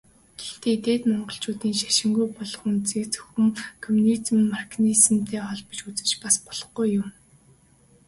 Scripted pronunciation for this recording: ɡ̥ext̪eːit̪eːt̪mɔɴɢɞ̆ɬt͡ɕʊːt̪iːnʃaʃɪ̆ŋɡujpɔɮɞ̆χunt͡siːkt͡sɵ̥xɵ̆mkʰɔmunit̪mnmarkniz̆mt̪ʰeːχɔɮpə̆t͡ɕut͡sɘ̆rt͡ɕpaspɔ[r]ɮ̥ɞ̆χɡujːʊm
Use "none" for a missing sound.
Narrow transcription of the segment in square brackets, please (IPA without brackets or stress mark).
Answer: none